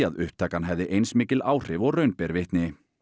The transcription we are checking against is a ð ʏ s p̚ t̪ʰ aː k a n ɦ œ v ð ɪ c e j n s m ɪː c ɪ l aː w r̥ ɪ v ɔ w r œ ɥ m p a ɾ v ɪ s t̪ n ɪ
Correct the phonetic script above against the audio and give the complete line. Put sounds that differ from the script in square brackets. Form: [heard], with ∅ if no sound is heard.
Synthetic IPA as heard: a ð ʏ [h] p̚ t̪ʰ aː k a n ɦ [ɛ] v ð ɪ [ʔ] e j n s m ɪː c ɪ l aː w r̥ ɪ v ɔ [ɣ] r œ ɥ [n] p [ɛ] ɾ v ɪ [h] t̪ n ɪ